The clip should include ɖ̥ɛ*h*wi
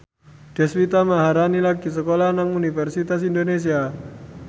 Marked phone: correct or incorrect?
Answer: incorrect